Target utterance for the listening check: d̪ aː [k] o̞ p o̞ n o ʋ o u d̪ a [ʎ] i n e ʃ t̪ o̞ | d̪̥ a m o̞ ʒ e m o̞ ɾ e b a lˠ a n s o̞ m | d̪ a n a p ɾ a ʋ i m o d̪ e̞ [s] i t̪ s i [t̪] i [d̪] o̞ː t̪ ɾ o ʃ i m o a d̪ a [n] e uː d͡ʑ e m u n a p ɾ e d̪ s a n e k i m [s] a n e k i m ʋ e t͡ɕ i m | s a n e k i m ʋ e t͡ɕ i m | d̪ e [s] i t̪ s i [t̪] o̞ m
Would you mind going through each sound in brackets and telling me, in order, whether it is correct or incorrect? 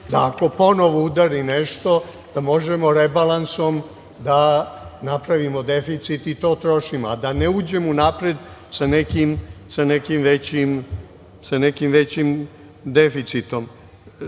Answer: correct, incorrect: ɾ, incorrect: f, correct, incorrect: t̪, correct, correct, incorrect: f, correct

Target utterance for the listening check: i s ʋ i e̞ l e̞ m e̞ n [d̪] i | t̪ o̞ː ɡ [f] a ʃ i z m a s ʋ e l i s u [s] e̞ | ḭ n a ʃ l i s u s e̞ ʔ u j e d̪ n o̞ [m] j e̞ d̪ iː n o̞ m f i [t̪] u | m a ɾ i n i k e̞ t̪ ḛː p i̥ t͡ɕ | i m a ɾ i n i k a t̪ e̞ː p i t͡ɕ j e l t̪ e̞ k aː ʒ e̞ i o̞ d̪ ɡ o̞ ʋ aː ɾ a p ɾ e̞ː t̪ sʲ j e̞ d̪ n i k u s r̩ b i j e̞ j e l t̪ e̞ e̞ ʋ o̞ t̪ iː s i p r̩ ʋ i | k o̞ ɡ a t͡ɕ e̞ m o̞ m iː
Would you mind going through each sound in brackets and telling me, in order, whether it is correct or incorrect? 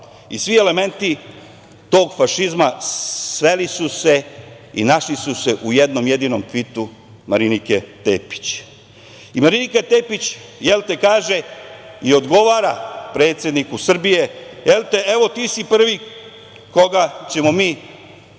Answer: incorrect: t̪, correct, correct, correct, correct

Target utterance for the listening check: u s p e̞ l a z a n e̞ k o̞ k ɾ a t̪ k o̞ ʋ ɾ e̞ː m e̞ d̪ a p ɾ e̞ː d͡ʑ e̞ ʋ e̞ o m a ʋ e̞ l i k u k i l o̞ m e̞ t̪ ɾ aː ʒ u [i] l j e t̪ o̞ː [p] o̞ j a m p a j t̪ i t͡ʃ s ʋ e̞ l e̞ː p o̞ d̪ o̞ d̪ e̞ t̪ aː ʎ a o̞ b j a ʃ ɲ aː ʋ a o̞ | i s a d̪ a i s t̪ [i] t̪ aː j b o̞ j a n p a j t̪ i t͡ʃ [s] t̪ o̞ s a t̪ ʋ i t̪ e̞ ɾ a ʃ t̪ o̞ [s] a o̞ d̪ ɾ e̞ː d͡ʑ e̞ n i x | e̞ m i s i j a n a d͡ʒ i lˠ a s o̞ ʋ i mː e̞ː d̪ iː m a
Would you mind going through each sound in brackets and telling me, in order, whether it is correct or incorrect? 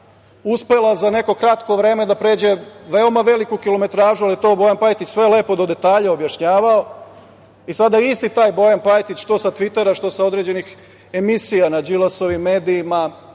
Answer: incorrect: a, incorrect: b, correct, incorrect: ʃ, correct

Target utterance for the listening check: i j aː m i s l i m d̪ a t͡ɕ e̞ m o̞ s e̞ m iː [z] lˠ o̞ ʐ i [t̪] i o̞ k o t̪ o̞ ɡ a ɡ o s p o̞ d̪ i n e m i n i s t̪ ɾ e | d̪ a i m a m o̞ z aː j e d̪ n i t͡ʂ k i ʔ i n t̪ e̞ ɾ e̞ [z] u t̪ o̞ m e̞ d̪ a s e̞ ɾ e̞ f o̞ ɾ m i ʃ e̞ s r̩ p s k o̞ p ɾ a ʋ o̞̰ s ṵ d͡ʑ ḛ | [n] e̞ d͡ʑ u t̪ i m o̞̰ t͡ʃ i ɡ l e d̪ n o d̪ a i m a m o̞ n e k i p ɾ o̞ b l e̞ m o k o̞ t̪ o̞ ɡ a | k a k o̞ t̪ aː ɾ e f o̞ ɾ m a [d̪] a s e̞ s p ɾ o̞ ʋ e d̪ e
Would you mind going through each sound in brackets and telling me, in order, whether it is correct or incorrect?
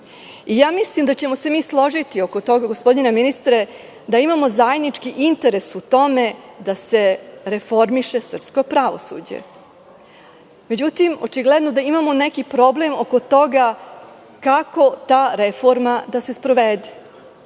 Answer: incorrect: s, correct, incorrect: s, incorrect: m, correct

